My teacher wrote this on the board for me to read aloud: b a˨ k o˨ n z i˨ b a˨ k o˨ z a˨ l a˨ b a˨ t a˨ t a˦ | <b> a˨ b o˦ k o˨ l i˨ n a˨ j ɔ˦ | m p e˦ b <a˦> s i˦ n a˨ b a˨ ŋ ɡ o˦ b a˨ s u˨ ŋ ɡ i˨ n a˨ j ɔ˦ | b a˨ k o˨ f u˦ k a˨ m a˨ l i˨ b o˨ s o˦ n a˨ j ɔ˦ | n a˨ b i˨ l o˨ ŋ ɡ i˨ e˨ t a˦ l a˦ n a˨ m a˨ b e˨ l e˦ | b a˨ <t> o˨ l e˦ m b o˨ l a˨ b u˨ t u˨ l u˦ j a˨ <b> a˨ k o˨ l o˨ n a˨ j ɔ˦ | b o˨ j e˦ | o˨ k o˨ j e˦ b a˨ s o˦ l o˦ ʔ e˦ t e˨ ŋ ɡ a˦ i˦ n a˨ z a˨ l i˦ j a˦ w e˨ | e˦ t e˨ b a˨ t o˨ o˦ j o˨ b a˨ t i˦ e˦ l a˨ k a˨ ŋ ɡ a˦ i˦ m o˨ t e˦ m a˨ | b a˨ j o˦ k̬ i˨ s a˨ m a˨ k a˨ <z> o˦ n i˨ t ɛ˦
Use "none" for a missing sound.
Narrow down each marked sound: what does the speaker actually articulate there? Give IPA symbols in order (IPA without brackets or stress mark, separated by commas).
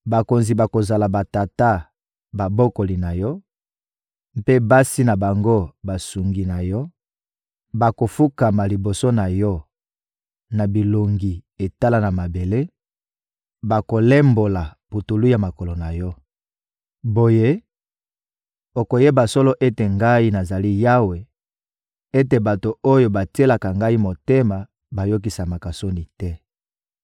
b, a˦, k, m, s